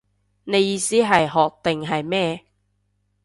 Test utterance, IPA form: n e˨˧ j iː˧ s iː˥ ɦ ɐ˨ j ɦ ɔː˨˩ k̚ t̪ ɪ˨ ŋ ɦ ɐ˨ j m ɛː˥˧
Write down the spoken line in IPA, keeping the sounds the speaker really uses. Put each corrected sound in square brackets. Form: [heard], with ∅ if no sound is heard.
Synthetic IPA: n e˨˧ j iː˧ s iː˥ ɦ ɐ˨ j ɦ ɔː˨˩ k̚ t̪ ɪ˨ ŋ ɦ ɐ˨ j m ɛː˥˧